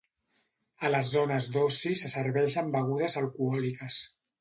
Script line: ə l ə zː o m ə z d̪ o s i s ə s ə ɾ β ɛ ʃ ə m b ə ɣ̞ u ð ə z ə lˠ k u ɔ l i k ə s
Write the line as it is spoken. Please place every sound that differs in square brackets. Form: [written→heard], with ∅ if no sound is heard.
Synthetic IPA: ə l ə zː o [m→n] ə z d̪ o s i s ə s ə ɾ β ɛ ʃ ə m b ə ɣ̞ u ð ə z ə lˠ k u ɔ l i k ə s